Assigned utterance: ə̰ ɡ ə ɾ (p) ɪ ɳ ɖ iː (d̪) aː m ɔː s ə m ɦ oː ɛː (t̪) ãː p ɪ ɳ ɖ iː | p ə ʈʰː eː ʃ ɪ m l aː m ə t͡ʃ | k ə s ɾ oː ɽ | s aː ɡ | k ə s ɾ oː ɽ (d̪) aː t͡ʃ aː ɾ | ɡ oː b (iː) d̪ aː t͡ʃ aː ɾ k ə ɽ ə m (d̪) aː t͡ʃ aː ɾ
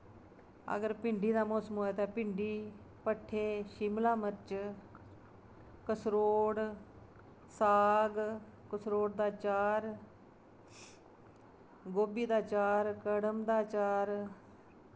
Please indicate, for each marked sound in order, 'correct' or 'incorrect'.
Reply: correct, correct, correct, correct, correct, correct

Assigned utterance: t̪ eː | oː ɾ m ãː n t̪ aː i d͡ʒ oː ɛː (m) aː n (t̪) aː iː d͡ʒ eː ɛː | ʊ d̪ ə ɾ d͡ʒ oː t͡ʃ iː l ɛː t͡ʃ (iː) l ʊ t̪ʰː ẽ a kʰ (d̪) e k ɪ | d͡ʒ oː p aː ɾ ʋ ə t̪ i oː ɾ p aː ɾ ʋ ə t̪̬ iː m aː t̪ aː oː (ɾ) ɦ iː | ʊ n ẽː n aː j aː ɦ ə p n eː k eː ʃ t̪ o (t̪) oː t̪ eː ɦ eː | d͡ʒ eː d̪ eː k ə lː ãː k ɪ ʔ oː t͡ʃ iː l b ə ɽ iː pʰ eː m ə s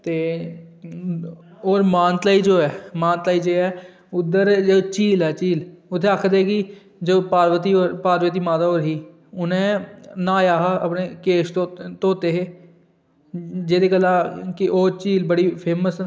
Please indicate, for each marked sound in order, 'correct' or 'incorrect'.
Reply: correct, correct, correct, correct, correct, correct

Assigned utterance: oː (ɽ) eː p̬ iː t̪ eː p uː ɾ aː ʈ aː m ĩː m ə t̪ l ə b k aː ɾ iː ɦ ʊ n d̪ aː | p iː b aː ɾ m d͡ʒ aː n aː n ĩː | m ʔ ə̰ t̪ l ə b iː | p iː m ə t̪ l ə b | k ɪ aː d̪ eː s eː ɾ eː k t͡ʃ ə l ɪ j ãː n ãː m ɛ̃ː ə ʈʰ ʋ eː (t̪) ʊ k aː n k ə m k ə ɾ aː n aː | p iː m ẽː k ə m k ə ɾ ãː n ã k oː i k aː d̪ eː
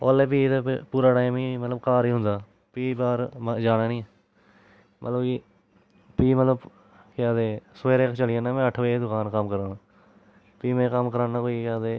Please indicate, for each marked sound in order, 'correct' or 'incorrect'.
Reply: incorrect: l, incorrect: d̪

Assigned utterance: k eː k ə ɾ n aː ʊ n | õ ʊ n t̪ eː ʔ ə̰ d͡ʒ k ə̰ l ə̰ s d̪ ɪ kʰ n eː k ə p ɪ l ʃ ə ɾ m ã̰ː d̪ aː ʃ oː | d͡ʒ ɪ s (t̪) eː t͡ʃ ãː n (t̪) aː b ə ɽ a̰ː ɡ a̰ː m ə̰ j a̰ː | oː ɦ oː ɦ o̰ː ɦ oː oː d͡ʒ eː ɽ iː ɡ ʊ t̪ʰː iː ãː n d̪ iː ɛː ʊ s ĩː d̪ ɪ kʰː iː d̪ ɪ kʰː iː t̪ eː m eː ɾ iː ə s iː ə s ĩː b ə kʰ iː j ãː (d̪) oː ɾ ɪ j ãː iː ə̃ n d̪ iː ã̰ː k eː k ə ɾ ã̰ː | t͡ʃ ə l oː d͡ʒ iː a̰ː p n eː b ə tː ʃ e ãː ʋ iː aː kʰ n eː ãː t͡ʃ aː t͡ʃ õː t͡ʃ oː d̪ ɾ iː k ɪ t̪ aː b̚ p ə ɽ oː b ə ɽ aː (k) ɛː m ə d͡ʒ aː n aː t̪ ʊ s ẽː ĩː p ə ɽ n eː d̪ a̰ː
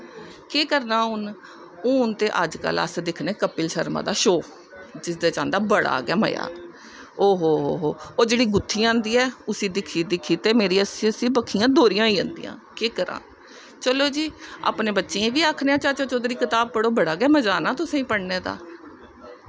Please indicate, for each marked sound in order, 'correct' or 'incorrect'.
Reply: incorrect: d̪, incorrect: d̪, correct, incorrect: ɡ

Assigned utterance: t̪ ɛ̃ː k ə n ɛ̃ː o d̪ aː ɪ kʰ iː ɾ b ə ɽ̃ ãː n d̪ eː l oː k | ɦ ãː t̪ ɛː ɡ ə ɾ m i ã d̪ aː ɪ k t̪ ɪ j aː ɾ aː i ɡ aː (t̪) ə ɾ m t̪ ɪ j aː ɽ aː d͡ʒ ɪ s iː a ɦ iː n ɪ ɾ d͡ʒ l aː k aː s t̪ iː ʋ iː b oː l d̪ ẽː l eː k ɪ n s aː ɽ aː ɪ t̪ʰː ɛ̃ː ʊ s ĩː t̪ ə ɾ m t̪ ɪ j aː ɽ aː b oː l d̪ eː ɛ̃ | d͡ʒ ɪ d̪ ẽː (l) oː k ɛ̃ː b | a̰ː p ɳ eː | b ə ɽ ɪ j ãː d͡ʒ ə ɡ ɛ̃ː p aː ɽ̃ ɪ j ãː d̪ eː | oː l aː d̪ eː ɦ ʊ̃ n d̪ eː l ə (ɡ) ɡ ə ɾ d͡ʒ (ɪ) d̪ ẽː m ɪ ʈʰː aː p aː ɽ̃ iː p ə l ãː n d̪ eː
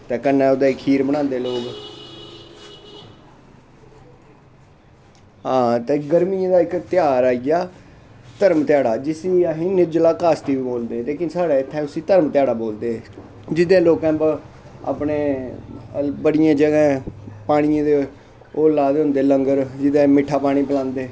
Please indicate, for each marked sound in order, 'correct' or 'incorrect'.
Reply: correct, correct, incorrect: ŋ, correct

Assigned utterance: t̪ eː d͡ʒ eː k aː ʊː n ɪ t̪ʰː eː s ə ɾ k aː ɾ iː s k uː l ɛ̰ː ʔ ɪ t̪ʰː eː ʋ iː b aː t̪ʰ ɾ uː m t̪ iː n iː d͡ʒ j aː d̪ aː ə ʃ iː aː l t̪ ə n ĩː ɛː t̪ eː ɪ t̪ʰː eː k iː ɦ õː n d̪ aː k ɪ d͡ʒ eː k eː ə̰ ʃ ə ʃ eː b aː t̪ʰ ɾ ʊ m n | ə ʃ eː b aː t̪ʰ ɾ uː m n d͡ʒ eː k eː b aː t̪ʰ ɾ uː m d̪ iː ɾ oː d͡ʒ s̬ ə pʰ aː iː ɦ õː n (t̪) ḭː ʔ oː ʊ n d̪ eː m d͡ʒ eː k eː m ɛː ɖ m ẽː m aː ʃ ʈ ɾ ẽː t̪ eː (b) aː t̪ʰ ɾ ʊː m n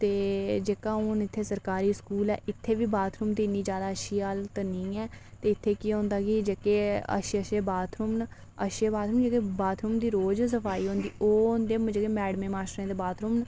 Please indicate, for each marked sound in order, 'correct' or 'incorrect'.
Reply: incorrect: d̪, correct

